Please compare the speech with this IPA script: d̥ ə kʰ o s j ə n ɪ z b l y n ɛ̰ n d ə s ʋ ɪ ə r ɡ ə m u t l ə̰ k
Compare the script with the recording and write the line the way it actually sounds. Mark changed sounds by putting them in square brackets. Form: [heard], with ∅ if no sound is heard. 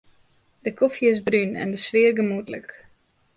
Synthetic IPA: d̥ ə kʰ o [f] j ə [∅] ɪ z b [r] y n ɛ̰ n d ə s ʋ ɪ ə r ɡ ə m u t l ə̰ k